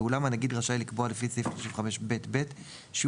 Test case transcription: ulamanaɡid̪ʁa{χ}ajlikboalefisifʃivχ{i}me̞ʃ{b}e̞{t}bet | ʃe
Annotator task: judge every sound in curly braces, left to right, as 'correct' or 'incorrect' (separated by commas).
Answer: incorrect, incorrect, correct, correct